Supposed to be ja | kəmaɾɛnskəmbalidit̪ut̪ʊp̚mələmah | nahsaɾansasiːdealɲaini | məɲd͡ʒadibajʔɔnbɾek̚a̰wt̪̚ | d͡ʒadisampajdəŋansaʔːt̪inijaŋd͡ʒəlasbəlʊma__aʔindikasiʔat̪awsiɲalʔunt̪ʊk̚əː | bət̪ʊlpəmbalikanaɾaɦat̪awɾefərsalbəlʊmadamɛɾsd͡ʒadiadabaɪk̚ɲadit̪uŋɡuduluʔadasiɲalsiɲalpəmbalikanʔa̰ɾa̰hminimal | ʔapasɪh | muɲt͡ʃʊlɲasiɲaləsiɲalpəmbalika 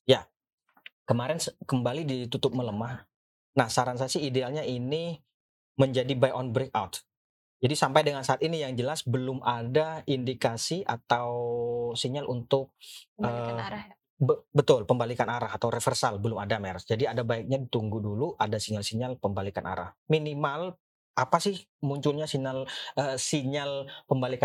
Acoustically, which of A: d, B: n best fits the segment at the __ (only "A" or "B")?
A